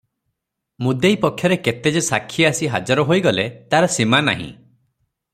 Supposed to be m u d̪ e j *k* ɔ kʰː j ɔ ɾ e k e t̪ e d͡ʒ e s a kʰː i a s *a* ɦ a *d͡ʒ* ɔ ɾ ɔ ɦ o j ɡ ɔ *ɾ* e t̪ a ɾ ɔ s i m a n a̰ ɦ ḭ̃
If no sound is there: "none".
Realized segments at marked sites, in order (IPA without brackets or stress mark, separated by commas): p, i, d͡ʒ, l